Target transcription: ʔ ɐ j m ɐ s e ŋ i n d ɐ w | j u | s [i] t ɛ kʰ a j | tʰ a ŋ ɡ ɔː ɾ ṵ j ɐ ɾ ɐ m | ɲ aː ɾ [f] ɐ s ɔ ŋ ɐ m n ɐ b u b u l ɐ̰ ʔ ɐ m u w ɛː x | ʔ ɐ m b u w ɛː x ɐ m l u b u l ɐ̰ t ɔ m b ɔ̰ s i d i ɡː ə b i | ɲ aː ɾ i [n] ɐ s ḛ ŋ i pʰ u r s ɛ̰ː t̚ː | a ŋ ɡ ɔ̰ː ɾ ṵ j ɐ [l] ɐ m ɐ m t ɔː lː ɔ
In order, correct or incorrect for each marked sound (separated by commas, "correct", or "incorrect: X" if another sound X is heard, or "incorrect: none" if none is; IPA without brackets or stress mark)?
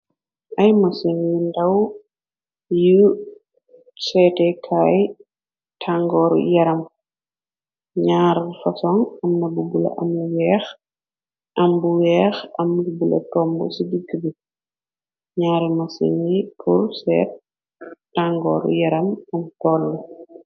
incorrect: ɛ, correct, incorrect: m, incorrect: ɾ